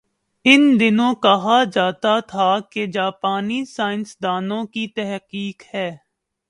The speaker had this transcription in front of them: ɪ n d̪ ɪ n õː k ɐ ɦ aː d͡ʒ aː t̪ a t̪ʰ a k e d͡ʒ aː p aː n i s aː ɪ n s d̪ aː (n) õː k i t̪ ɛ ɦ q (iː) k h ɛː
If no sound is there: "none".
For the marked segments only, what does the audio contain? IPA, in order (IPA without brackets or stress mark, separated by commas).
n, iː